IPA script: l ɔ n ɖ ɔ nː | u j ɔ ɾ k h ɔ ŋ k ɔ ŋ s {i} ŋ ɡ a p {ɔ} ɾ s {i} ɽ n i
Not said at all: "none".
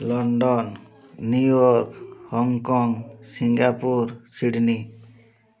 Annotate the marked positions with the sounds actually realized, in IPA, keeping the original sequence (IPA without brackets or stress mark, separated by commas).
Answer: i, u, i